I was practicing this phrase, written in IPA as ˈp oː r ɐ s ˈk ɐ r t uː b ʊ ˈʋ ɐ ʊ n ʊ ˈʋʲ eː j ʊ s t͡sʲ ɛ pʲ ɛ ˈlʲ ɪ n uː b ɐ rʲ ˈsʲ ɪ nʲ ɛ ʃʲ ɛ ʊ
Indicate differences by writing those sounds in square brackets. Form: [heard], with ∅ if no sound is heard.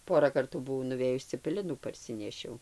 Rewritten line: ˈp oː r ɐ [∅] ˈk ɐ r t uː b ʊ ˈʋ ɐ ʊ n ʊ ˈʋʲ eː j ʊ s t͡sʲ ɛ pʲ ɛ ˈlʲ ɪ n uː [p] ɐ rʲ ˈsʲ ɪ nʲ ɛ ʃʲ ɛ ʊ